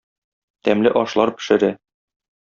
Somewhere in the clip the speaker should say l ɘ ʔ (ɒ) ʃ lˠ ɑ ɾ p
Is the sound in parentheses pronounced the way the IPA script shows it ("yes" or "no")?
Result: yes